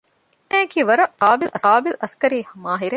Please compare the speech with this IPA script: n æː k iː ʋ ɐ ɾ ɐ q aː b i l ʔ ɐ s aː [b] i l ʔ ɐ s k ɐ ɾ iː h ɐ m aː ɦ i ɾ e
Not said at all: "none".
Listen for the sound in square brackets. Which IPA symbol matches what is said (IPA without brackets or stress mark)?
b